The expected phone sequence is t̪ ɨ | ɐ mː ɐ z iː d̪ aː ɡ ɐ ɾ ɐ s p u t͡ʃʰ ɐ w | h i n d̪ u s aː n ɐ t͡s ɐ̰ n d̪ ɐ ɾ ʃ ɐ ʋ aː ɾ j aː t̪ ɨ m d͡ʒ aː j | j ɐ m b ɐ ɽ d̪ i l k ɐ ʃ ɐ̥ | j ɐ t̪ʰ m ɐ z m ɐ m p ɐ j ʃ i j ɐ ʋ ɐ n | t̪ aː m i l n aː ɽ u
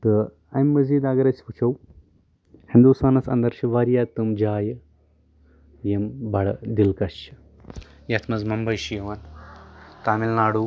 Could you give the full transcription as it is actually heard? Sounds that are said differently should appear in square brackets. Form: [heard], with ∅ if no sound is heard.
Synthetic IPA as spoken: t̪ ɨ | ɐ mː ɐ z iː d̪ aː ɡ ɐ ɾ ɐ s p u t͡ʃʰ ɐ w | h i n d̪ u s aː n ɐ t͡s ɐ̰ n d̪ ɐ ɾ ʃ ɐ ʋ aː ɾ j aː t̪ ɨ m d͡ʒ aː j | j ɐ m b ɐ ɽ d̪ i l k ɐ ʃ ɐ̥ | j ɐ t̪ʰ m ɐ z m ɐ m [b] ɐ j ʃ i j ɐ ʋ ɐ n | t̪ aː m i l n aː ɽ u